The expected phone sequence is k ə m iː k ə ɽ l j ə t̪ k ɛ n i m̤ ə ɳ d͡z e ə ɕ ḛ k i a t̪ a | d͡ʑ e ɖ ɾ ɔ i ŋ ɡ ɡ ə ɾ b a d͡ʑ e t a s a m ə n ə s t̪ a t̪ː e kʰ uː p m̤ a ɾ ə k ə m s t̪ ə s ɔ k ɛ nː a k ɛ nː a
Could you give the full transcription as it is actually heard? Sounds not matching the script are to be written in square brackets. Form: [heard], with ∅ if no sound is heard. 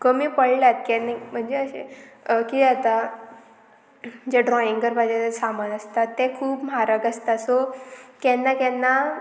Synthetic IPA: k ə m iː [p] ə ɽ l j [a] t̪ k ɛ n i m̤ ə ɳ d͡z e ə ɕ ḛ k i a t̪ a | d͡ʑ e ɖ ɾ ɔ i ŋ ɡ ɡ ə ɾ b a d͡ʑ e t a s a m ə n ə s t̪ a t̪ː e kʰ uː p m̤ a ɾ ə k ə [∅] s t̪ [a] s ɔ k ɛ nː a k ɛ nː a